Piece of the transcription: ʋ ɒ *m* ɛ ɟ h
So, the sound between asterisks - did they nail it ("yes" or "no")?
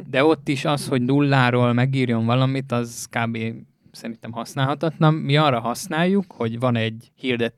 no